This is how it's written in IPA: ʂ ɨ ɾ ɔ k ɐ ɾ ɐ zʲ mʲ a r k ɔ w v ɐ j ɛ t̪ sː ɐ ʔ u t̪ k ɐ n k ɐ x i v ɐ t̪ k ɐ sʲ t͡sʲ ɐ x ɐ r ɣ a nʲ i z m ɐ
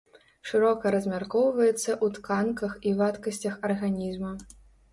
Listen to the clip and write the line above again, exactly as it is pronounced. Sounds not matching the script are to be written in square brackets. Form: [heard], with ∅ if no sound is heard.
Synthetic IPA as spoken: ʂ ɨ ɾ ɔ k ɐ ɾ ɐ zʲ mʲ a r k ɔ w v ɐ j ɛ t̪ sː ɐ ʔ u t̪ k [a] n k ɐ x i v [a] t̪ k ɐ sʲ t͡sʲ ɐ x ɐ r ɣ a nʲ i z m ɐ